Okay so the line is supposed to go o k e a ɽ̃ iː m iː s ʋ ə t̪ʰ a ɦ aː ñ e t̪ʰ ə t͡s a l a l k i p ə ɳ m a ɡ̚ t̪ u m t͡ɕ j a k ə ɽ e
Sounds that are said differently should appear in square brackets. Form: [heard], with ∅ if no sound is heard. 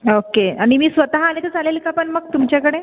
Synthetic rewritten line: o k e a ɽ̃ [i] m iː s ʋ ə [t̪] a ɦ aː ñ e [t̪] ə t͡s a l [e] l k [a] p ə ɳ m [ə] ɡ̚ t̪ u m t͡ɕ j a k ə ɽ e